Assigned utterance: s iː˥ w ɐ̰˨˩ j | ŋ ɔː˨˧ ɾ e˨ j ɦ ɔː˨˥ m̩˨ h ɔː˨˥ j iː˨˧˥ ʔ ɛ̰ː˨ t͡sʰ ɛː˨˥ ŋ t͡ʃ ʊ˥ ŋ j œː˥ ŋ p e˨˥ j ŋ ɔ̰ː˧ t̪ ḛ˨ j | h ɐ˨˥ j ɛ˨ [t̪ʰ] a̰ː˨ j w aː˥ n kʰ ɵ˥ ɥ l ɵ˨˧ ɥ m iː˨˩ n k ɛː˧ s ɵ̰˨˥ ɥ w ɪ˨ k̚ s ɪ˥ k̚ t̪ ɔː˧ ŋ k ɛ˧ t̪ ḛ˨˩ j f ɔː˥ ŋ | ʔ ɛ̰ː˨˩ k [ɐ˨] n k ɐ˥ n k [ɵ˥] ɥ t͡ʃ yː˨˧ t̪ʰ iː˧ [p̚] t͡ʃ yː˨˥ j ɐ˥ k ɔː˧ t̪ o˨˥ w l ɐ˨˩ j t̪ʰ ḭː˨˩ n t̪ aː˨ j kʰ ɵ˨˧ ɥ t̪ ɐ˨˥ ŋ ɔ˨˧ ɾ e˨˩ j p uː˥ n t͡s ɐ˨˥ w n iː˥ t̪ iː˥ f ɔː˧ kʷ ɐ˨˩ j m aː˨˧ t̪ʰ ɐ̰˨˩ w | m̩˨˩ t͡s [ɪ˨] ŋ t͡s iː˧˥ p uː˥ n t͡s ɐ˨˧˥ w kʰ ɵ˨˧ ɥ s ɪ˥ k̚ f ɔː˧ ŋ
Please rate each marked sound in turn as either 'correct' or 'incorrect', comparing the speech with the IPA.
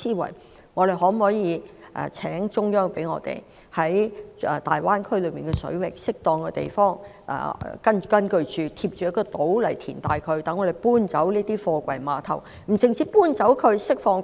incorrect: t̪, incorrect: ɐ˥, incorrect: ɵ˧, correct, correct

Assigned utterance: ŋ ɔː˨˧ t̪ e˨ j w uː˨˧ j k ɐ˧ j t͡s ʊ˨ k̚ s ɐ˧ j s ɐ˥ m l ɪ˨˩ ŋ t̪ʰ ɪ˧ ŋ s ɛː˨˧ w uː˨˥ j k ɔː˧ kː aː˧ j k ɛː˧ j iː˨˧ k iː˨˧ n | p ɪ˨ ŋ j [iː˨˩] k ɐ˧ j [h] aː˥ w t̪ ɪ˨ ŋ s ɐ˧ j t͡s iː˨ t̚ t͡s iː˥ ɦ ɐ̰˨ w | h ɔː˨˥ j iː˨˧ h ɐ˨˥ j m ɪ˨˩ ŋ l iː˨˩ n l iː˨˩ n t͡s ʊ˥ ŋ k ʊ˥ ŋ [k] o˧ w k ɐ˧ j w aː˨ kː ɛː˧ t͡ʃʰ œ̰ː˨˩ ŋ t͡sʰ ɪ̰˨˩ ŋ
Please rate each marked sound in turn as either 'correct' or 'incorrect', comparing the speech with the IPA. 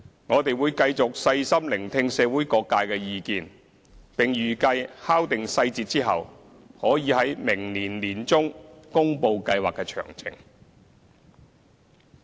incorrect: yː˨˩, correct, incorrect: p

